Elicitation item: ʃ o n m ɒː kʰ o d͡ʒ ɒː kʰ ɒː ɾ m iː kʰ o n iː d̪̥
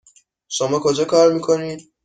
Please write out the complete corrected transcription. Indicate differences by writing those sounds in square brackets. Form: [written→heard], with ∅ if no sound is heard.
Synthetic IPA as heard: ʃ o [n→∅] m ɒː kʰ o d͡ʒ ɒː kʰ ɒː ɾ m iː kʰ o n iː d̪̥